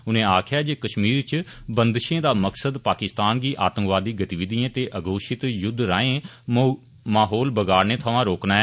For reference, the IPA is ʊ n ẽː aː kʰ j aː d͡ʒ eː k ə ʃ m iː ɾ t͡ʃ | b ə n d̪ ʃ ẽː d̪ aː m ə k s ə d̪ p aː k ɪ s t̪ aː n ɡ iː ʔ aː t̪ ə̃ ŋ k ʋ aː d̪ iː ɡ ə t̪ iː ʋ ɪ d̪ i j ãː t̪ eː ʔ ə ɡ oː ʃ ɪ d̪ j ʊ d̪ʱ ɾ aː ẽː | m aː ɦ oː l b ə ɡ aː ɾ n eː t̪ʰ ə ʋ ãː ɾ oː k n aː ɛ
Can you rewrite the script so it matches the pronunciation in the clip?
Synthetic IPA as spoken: ʊ n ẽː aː kʰ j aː d͡ʒ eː k ə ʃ m iː ɾ t͡ʃ | b ə n d̪ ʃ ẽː d̪ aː m ə k s ə d̪ p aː k ɪ s t̪ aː n ɡ iː ʔ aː t̪ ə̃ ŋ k ʋ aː d̪ iː ɡ ə t̪ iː ʋ ɪ d̪ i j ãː t̪ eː ʔ ə ɡ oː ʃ ɪ t̪ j ʊ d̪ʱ ɾ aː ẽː | m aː ɦ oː l b ə ɡ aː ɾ n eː t̪ʰ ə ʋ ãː ɾ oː k n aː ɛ